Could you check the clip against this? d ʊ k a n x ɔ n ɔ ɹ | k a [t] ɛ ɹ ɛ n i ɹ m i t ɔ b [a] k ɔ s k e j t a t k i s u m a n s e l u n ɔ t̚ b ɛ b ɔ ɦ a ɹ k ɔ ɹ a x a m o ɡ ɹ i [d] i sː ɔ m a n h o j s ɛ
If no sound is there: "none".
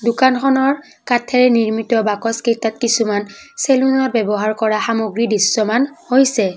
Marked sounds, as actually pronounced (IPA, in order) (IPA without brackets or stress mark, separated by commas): tʰ, a, d